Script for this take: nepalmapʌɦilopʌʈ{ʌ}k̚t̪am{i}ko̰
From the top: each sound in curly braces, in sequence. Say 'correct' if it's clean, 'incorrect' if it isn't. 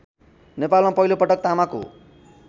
correct, incorrect

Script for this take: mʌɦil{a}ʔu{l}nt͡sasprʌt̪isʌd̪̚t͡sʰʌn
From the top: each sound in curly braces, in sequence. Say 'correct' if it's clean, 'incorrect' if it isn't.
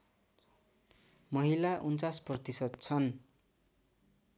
correct, incorrect

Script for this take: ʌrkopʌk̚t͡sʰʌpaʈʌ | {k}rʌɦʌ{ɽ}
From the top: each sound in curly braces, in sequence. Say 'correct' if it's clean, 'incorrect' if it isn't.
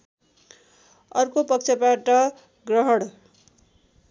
incorrect, correct

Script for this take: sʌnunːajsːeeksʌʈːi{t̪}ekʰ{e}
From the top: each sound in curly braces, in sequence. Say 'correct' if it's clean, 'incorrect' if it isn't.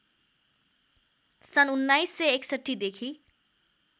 incorrect, incorrect

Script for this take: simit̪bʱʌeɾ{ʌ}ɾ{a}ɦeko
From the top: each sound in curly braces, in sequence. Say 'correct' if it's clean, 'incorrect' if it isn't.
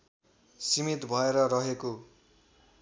correct, incorrect

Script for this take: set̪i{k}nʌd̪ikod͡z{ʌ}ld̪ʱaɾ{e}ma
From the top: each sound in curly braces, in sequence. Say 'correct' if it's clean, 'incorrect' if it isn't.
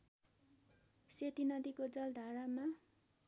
incorrect, correct, incorrect

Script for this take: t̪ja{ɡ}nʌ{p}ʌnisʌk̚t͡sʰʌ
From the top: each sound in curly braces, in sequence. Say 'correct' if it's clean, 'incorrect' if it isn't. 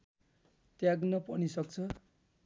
correct, correct

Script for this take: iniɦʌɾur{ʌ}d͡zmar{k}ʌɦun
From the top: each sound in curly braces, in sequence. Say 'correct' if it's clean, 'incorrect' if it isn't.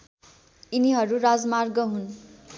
incorrect, incorrect

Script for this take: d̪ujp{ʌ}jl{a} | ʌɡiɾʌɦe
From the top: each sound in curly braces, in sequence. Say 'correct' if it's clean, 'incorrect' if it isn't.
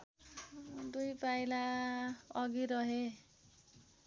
incorrect, correct

